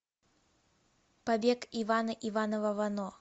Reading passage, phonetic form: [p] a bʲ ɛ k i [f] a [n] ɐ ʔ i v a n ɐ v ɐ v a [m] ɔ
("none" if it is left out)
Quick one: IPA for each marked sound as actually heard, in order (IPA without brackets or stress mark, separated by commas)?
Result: p, v, n, n